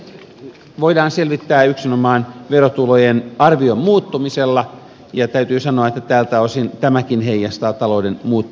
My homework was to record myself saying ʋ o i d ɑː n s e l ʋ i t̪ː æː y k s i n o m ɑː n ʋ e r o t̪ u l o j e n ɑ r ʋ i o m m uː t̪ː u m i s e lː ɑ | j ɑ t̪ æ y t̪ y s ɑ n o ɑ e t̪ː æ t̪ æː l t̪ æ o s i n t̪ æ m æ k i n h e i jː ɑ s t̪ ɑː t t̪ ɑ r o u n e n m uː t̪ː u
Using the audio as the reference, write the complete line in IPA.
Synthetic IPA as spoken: ʋ o i d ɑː n s e l ʋ i t̪ː æː y k s i n o m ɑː n ʋ e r o t̪ u l o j e n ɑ r ʋ i o m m uː t̪ː u m i s e lː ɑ | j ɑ t̪ æ y t̪ yː s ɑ n o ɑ e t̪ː æ t̪ æː l t̪ æ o s i n t̪ æ m æ k i n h e i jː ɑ s t̪ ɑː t t̪ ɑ l o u d e n m uː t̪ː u